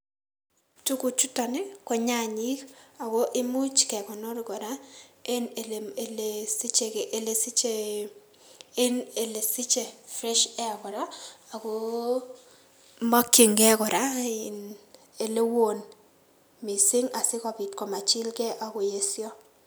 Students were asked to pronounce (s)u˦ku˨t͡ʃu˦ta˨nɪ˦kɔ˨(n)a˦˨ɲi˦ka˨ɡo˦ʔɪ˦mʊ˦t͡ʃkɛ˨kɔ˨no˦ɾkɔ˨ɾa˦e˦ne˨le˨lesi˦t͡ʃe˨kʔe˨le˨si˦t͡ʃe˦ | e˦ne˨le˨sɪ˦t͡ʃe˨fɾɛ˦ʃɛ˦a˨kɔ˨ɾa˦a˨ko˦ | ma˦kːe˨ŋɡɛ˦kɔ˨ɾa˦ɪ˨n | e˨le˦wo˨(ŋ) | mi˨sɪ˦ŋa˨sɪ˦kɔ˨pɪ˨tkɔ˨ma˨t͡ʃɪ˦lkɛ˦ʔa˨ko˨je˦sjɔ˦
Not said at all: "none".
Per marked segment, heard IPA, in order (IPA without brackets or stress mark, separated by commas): t, ɲ, n